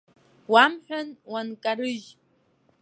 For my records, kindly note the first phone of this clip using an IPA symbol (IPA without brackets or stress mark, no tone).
w